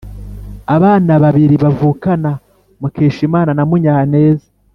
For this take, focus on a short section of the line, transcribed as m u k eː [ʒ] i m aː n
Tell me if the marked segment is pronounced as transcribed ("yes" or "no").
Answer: no